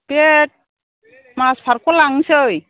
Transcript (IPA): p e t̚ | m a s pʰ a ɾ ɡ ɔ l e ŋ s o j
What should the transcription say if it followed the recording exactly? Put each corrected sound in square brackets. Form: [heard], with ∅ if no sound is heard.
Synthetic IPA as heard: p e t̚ | m a s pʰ a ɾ [k] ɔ l [a] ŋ s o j